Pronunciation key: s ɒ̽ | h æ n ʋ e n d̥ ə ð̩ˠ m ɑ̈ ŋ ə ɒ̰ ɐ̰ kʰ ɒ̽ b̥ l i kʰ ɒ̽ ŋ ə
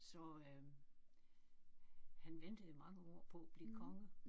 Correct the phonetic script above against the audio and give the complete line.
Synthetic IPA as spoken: s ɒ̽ | h æ n ʋ e n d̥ ə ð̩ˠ m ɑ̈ ŋ ə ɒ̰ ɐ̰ pʰ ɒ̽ b̥ l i kʰ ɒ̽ ŋ ə